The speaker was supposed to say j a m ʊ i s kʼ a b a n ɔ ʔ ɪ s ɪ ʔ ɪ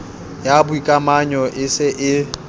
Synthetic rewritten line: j a b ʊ i kʼ a m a ɲ ɔ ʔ ɪ s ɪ ʔ ɪ